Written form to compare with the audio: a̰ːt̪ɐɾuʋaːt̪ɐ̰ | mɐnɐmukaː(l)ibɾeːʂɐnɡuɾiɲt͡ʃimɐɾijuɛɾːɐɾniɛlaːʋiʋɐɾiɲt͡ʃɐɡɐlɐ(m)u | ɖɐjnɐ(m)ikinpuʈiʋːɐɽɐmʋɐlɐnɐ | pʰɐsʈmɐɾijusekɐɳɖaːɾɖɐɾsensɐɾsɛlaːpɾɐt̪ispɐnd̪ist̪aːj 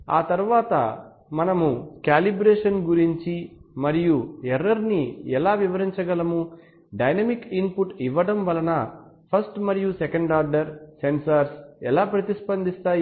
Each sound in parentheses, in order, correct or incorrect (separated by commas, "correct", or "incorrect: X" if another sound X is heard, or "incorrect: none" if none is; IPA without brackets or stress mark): correct, correct, correct